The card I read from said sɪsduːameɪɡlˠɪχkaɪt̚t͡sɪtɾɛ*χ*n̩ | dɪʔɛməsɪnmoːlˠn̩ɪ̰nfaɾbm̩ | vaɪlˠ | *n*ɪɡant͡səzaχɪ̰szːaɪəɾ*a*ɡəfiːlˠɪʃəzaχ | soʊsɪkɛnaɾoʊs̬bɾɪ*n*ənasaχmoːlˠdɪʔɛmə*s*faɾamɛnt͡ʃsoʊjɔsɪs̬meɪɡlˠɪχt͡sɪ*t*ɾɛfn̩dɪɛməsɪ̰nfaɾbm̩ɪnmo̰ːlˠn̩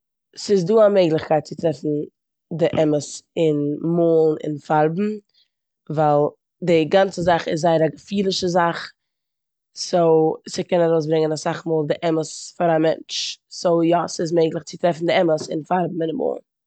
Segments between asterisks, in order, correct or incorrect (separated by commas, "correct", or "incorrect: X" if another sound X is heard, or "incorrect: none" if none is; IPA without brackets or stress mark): incorrect: f, incorrect: d, correct, incorrect: ŋ, correct, correct